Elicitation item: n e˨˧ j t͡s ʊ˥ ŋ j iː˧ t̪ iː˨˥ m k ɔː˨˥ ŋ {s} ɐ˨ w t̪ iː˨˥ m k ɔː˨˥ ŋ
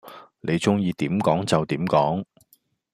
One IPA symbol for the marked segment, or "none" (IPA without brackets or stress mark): t͡s